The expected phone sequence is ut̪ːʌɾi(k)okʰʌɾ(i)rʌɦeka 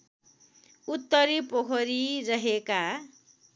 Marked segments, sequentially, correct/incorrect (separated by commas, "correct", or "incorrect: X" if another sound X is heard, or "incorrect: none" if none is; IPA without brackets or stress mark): incorrect: p, correct